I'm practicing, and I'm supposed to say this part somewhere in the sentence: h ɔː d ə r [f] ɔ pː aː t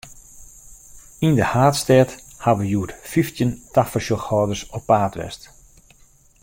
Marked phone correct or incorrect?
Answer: incorrect